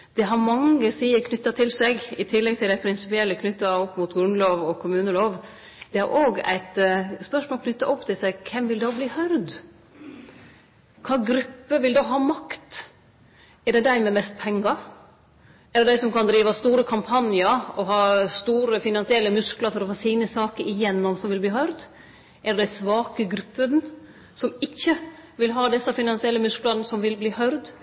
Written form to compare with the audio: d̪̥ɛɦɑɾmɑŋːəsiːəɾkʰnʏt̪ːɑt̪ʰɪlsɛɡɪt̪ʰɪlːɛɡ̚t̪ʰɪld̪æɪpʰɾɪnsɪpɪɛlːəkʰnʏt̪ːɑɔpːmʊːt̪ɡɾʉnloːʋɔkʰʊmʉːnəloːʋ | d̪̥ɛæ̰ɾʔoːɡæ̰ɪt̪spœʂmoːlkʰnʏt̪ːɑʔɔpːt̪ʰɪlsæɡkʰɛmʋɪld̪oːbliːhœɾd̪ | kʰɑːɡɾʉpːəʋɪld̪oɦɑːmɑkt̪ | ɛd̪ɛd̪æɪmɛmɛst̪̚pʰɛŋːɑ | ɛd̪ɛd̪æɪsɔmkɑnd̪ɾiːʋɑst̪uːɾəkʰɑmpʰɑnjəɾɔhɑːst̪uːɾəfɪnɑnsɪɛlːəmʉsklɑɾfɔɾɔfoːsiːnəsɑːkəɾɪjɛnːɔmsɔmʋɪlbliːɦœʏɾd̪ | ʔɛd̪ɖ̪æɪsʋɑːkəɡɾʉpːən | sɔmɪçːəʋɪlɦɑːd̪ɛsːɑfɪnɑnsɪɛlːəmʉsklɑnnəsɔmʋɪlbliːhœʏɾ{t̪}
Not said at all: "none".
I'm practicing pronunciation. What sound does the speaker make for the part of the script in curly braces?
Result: d̪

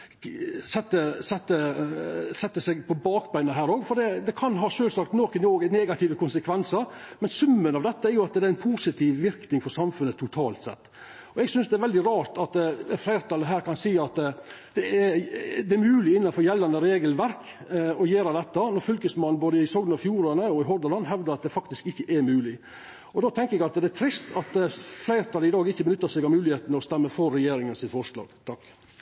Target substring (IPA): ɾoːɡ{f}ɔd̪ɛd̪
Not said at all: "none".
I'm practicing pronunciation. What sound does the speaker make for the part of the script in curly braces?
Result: f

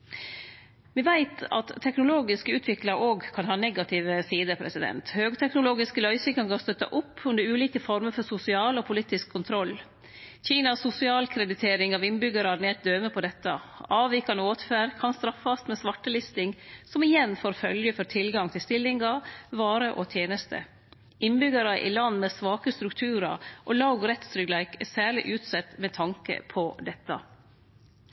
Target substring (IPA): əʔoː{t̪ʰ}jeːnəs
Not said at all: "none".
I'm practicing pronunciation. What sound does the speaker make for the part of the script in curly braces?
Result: t̪ʰ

